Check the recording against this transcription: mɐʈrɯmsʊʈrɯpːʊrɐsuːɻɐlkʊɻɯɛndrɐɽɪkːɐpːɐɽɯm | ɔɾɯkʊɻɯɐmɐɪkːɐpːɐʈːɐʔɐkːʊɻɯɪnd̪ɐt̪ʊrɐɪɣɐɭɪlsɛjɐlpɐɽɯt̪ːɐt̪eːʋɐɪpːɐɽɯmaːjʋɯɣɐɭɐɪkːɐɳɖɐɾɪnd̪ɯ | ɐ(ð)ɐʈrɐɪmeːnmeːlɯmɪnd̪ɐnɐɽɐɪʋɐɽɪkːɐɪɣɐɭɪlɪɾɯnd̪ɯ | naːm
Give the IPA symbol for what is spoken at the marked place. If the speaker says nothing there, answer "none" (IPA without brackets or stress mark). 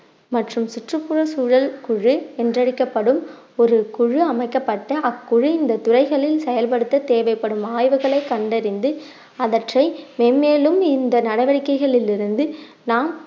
ð